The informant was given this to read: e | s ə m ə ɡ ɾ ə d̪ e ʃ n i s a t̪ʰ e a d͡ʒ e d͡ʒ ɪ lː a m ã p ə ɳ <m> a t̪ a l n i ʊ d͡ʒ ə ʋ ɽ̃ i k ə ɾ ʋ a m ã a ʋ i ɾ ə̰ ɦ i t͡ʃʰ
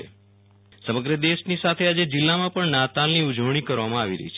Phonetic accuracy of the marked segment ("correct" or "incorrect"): incorrect